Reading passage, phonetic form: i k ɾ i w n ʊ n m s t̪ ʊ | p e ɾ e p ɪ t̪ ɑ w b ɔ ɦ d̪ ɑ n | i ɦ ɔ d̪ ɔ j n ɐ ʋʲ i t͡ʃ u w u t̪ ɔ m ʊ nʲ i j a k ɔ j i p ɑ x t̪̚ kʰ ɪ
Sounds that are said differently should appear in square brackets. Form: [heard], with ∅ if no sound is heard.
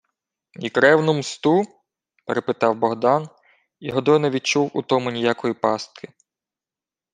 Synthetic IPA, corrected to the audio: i k ɾ [ɛ] w n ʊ [∅] m s t̪ [u] | p e ɾ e p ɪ t̪ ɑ w b ɔ ɦ d̪ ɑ n | i ɦ ɔ d̪ ɔ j n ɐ ʋʲ i t͡ʃ u w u t̪ ɔ m ʊ nʲ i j a k ɔ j i p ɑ [s] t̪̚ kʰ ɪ